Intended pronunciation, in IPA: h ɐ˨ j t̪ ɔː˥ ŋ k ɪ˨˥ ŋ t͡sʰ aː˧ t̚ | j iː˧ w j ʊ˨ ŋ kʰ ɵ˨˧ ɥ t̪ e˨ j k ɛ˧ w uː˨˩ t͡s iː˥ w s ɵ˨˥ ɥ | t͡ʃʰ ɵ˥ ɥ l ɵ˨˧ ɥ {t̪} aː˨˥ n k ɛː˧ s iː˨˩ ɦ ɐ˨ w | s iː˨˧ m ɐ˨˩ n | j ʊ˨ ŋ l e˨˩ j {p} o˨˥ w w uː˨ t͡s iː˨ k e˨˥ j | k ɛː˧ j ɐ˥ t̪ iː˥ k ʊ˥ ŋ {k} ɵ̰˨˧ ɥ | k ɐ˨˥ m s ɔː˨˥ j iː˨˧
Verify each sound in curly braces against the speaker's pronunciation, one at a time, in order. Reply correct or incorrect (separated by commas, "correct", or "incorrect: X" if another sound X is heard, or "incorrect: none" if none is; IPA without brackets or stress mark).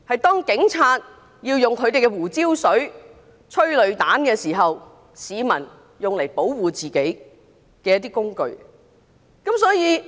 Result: correct, correct, correct